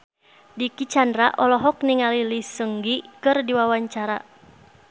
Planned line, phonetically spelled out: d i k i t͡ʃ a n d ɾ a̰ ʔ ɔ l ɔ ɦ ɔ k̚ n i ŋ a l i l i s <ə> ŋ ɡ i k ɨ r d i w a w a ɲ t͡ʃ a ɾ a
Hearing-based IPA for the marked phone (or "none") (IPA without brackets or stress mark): ə